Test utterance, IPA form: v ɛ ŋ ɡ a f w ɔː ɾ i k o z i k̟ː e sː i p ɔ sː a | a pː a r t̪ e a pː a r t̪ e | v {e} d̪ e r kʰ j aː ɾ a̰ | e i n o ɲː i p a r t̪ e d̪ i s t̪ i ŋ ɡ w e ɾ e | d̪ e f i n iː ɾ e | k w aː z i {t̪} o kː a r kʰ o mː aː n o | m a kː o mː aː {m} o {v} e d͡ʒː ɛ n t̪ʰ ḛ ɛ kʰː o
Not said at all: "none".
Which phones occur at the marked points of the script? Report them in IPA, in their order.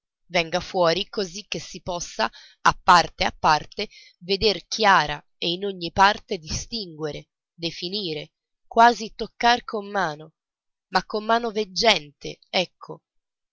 e, t̪, n, v

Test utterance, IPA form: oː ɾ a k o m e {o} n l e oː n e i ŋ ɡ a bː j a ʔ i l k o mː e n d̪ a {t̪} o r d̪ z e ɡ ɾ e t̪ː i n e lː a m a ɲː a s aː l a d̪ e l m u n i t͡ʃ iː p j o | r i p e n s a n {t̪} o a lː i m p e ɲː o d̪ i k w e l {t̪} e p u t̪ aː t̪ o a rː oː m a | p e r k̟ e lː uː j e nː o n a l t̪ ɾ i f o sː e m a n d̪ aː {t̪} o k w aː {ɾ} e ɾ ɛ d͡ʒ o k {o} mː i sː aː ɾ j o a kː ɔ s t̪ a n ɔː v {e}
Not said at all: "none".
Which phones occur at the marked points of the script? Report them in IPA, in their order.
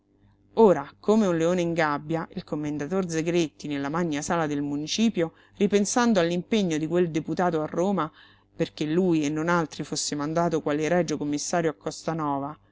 u, t̪, d̪, d̪, t̪, l, o, a

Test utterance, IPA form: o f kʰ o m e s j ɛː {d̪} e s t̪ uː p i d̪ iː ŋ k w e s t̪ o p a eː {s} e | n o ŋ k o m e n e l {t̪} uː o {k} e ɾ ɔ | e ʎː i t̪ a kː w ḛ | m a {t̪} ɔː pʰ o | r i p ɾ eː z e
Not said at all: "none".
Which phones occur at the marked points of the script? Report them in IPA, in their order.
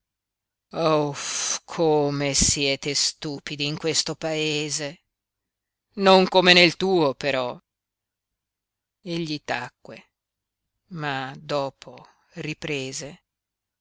t̪, z, t̪, p, d̪

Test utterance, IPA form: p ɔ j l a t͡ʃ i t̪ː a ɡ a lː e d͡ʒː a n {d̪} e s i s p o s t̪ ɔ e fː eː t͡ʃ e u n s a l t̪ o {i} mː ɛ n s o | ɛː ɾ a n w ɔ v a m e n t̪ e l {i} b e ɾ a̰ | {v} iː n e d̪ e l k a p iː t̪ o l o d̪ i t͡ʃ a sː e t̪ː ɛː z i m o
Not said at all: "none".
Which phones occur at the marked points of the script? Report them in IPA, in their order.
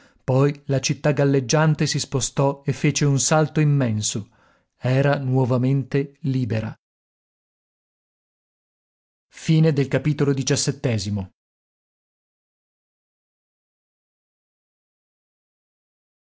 t̪, i, iː, f

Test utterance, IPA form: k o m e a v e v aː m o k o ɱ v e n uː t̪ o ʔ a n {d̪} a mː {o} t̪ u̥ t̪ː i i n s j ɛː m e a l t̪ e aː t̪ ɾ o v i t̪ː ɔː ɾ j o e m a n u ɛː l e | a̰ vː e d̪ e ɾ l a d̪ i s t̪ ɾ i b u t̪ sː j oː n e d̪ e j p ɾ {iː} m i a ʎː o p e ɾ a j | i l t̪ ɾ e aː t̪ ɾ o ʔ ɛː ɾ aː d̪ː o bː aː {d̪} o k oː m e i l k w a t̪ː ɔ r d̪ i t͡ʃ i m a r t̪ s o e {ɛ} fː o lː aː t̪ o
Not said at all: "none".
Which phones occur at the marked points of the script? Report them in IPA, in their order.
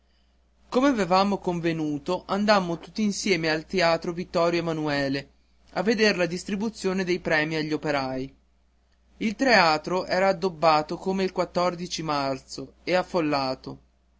d̪, o, ɛː, t̪, a

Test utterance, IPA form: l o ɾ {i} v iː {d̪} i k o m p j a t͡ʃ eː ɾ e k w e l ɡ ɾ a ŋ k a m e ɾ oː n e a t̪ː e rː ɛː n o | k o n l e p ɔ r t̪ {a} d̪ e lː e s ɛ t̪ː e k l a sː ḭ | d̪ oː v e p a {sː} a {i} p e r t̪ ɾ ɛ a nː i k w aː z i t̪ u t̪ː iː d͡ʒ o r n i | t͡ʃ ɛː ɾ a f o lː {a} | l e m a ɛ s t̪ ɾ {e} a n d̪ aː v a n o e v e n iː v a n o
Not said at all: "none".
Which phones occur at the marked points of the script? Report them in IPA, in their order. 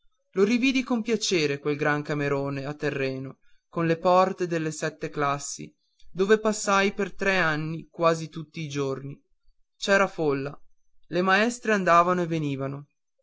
i, d̪, e, sː, j, a, e

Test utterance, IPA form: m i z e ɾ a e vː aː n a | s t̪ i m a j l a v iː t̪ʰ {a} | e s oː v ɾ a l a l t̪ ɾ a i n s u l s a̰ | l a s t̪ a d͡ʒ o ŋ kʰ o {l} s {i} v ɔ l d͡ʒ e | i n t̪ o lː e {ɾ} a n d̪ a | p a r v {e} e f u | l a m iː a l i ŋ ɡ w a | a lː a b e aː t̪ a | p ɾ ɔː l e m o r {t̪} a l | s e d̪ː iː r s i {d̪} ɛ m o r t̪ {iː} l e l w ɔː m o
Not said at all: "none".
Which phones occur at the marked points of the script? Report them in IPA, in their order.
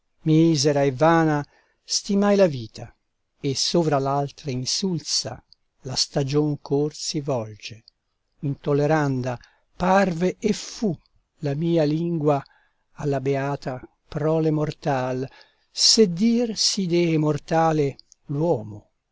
a, r, i, ɾ, e, t̪, d̪, aː

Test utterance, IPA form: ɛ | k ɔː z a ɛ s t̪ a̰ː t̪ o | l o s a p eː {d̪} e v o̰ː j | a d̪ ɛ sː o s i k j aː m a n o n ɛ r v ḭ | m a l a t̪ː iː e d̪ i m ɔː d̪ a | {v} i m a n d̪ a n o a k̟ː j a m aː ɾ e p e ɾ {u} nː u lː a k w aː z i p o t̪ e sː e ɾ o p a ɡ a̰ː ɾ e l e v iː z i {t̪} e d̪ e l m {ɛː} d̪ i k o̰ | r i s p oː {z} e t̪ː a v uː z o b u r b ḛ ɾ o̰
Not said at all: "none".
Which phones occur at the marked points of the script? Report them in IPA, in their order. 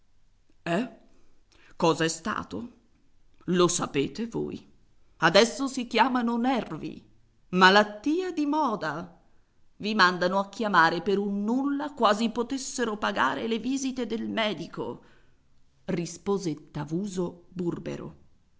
t̪, v, u, t̪, ɛː, z

